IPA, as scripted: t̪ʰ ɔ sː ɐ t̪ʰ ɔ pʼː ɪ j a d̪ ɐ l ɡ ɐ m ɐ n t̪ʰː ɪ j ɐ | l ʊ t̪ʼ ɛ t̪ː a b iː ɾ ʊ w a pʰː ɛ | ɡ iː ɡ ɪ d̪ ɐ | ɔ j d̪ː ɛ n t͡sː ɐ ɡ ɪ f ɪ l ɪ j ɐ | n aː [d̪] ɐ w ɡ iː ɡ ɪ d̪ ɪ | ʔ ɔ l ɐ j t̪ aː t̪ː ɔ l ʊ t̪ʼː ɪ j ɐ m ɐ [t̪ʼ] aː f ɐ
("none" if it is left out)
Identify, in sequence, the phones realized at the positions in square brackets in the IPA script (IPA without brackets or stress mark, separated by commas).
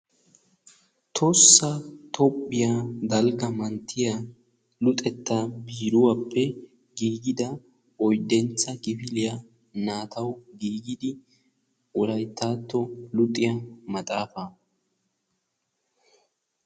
t̪, t̪ʼ